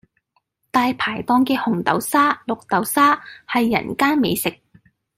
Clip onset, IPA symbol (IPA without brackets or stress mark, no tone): t̪